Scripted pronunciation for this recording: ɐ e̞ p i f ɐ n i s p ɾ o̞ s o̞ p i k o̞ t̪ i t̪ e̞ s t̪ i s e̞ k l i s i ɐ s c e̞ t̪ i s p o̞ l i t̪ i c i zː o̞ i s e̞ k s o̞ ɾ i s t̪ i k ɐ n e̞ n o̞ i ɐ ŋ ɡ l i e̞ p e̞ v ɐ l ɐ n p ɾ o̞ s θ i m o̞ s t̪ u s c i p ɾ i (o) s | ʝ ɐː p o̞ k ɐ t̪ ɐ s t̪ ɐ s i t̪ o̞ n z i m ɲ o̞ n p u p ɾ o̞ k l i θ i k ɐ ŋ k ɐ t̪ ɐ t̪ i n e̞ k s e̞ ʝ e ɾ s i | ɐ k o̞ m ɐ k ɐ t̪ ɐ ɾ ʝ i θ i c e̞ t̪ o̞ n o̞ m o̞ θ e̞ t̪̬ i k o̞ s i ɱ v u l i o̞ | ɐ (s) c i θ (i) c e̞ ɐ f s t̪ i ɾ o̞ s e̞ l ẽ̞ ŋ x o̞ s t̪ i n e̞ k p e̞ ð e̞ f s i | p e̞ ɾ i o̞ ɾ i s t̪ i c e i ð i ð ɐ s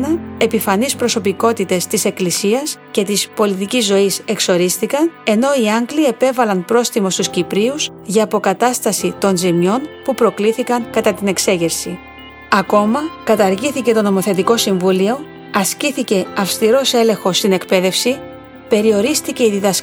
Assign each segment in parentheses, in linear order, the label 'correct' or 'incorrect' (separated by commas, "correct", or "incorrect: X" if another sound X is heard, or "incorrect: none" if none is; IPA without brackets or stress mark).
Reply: incorrect: u, correct, correct